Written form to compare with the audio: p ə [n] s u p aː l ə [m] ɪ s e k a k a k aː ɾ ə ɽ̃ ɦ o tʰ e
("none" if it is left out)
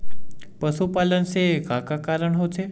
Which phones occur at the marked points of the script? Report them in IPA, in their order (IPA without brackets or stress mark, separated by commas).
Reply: none, n